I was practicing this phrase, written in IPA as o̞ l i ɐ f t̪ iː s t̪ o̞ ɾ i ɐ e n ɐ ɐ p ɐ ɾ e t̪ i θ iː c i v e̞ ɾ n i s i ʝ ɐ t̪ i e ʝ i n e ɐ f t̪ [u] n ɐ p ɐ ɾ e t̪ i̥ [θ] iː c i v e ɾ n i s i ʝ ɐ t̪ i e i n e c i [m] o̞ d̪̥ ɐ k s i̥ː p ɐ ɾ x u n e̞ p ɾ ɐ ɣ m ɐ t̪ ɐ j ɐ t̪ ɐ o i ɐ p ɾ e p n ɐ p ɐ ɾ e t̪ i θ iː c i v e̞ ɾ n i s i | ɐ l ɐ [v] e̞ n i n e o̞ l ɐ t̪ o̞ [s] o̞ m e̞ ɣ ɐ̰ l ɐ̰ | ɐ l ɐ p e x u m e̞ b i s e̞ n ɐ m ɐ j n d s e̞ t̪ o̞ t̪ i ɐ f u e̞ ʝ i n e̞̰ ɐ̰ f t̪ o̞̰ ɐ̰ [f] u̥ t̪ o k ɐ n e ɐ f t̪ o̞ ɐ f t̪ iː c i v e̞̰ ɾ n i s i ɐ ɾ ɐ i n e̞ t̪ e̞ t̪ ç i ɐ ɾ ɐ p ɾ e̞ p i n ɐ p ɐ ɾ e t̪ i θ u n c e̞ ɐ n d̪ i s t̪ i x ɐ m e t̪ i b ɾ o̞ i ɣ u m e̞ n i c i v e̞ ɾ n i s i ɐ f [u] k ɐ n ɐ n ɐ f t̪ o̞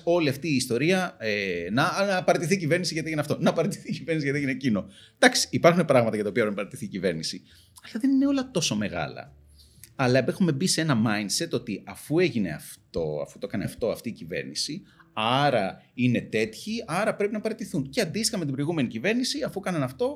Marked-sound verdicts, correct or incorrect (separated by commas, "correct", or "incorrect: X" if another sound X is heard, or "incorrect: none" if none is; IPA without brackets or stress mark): incorrect: o, correct, incorrect: n, incorrect: ð, correct, correct, correct